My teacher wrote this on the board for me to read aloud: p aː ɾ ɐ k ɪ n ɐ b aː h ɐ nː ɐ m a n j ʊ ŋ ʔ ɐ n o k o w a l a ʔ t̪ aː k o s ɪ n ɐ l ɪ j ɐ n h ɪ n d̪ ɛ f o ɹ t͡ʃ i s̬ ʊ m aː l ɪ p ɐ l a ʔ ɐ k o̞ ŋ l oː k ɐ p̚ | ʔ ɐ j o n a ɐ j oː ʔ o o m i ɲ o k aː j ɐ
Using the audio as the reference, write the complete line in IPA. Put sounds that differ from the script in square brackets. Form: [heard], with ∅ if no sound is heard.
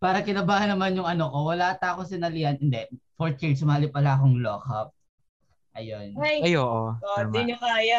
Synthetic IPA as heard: p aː ɾ ɐ k ɪ n ɐ b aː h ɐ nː ɐ m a n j ʊ ŋ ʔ ɐ n o k o w [ɐ] l a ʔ t̪ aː k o s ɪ n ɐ l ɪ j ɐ n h ɪ n d̪ ɛ f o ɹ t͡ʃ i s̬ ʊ m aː l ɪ p ɐ l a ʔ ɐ k o̞ ŋ l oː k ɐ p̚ | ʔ ɐ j o n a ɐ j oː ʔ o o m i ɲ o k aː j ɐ